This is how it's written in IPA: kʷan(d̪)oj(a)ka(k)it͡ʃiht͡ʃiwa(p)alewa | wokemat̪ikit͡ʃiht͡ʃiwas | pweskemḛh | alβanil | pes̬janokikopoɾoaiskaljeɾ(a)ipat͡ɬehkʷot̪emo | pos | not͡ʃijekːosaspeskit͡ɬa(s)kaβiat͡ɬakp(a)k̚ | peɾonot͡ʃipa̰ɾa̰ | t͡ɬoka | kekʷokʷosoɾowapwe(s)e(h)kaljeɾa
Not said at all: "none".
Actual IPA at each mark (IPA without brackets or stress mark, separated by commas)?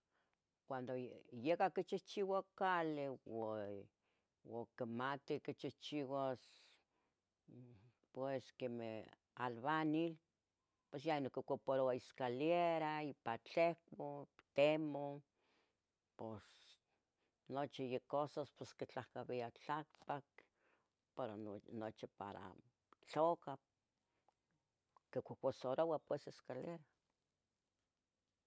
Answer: d̪, e, k, k, a, h, a, s, s